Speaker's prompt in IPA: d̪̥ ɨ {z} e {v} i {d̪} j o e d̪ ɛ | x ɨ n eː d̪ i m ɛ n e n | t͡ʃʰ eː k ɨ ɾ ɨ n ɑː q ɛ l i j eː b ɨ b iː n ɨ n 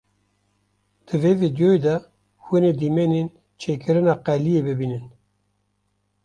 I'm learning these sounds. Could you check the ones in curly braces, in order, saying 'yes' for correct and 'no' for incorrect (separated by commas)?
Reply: no, yes, yes